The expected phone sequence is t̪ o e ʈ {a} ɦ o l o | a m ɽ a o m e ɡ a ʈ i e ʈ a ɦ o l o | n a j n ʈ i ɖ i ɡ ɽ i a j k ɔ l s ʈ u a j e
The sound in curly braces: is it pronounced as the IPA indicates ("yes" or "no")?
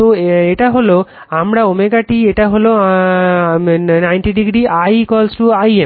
yes